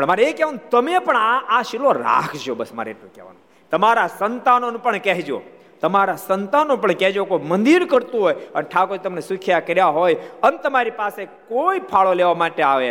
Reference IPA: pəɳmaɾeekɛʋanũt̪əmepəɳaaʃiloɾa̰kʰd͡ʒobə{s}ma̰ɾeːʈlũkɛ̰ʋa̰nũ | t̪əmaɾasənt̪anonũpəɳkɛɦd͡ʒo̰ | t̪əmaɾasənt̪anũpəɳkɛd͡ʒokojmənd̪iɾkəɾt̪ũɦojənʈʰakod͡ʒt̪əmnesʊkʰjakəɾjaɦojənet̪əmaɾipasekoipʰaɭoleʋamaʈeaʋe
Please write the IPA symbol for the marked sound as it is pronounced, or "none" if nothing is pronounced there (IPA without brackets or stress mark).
s